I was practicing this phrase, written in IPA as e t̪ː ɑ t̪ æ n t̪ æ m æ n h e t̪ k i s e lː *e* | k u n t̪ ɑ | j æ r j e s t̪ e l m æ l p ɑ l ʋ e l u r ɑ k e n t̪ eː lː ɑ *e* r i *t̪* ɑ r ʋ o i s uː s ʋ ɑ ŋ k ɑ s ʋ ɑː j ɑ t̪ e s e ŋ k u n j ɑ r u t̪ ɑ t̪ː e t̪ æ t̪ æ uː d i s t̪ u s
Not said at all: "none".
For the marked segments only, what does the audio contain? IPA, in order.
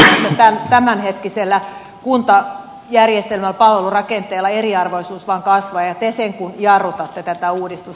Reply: æ, e, none

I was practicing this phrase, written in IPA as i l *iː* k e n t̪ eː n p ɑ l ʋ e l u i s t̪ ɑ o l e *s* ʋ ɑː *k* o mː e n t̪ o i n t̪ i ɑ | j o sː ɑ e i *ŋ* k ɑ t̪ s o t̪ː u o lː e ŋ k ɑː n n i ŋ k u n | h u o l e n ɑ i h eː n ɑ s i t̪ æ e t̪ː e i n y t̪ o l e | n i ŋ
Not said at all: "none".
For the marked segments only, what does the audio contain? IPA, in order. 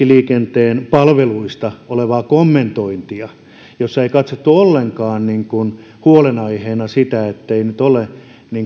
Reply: iː, none, k, none

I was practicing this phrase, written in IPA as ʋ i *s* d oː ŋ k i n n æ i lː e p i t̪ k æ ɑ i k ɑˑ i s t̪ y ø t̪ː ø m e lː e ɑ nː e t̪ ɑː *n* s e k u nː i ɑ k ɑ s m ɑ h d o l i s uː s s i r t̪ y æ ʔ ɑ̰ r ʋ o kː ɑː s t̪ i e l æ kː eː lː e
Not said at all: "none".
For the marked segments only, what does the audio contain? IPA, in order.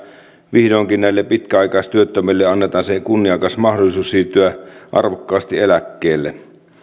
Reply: h, n

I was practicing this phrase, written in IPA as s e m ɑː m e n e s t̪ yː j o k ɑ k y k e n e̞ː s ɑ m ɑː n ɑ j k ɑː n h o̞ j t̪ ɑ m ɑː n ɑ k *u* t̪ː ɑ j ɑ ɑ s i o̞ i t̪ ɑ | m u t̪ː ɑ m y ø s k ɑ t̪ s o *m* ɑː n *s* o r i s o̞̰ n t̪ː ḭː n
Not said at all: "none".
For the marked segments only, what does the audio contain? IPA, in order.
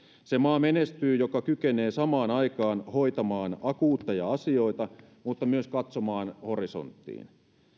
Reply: uː, m, h

